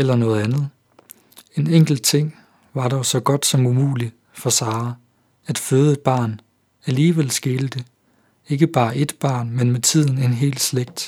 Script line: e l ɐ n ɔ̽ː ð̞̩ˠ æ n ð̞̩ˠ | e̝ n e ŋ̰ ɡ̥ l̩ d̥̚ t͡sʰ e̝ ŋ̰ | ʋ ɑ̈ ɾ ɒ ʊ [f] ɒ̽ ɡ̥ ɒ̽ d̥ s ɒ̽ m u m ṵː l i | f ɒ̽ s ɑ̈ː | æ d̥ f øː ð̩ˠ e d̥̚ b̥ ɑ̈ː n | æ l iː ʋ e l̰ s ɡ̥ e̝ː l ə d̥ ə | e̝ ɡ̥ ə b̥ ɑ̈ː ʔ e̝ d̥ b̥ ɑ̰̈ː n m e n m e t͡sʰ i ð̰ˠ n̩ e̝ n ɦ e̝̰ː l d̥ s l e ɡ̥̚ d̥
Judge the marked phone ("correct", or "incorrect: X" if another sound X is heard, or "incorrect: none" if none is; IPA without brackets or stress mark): incorrect: s